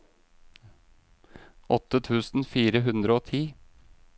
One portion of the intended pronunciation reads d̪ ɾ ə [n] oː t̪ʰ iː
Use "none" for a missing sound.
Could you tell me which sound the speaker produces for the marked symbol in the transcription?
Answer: none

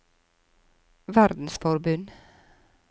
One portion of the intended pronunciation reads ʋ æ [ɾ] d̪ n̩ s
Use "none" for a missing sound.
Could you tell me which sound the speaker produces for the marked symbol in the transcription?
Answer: ɾ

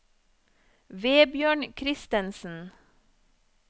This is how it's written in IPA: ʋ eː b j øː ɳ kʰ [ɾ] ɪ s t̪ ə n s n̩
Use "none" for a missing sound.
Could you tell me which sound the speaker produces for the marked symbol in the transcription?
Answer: ɾ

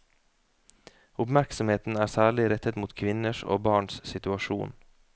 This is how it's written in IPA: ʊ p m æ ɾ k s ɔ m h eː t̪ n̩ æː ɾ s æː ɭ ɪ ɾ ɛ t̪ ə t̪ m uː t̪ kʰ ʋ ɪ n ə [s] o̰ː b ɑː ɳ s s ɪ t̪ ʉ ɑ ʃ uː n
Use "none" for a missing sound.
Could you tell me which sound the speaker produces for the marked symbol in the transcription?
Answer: ʃ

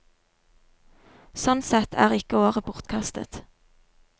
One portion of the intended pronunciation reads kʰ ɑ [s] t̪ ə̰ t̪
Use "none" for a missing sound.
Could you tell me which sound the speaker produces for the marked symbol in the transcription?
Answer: s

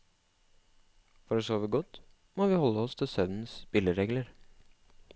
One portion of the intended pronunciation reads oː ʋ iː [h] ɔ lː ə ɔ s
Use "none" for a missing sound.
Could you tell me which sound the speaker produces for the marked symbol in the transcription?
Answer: h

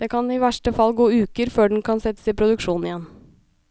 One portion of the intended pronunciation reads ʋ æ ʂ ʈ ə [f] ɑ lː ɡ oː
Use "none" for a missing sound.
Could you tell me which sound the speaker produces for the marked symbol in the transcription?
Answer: f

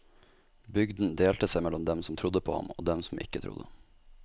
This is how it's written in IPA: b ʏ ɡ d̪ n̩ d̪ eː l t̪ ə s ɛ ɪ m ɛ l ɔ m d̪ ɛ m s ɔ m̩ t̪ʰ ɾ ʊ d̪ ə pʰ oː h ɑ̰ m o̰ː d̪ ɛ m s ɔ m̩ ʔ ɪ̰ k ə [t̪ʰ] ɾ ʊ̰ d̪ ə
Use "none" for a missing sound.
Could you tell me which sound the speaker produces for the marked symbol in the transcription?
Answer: t̪ʰ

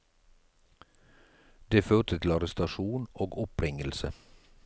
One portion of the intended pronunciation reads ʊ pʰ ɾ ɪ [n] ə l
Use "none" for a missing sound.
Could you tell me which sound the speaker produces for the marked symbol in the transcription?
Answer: ŋ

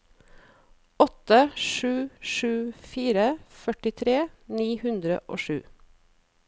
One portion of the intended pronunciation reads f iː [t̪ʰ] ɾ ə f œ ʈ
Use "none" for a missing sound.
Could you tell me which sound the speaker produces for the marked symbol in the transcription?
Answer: none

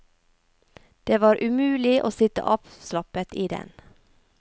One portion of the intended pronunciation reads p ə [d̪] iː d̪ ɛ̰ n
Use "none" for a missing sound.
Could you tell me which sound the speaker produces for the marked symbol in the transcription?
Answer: t̪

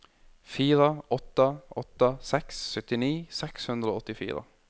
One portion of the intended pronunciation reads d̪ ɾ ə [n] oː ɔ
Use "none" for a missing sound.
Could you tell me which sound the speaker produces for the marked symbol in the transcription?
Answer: none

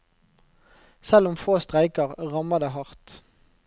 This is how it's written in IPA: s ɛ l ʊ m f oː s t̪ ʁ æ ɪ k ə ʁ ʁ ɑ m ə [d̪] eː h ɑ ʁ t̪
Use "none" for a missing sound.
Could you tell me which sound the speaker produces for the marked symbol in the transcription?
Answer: d̪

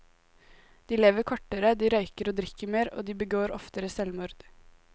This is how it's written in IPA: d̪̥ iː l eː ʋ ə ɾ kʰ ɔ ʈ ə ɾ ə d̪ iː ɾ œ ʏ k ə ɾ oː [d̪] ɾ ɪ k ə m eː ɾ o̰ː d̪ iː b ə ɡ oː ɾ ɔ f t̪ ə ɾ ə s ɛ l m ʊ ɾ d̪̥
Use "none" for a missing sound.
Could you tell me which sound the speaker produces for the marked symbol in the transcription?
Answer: d̪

